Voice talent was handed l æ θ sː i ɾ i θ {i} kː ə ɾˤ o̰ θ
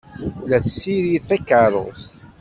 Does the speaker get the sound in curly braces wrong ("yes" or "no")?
yes